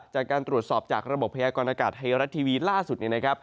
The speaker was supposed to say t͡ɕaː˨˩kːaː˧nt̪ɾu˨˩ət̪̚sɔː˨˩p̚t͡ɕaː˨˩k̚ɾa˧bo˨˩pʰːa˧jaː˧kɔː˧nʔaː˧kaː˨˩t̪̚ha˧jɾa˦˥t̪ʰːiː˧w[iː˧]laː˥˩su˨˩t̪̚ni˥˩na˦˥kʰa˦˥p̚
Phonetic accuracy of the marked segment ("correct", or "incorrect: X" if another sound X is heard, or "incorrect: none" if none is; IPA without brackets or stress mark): correct